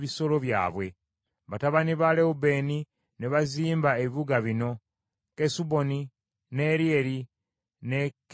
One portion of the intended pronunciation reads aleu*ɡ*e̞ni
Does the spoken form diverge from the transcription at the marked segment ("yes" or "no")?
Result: yes